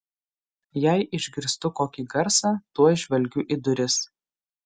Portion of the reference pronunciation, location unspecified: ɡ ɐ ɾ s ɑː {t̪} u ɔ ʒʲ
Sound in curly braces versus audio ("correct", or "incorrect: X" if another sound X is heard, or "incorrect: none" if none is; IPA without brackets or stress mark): correct